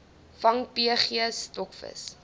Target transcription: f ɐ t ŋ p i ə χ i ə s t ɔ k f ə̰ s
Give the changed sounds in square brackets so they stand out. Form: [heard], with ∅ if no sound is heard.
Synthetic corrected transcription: f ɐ [∅] ŋ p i ə χ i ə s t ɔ k f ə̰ s